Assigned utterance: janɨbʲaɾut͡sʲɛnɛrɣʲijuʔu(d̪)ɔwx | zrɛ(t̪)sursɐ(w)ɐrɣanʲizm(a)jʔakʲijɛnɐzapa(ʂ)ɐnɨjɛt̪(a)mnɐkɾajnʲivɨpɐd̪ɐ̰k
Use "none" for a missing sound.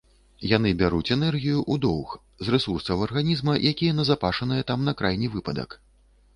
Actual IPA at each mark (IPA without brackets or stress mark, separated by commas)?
d̪, none, w, ɐ, ʂ, a